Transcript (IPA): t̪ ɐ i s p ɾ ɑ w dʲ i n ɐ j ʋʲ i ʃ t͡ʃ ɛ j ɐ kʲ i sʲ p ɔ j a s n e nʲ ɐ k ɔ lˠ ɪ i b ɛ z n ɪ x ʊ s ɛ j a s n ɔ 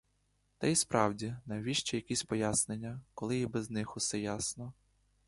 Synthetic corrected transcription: t̪ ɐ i s p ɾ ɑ w dʲ i n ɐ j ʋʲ i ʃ t͡ʃ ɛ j ɐ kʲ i sʲ p ɔ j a s n e nʲː ɐ k ɔ lˠ ɪ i b ɛ z n ɪ x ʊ s ɛ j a s n ɔ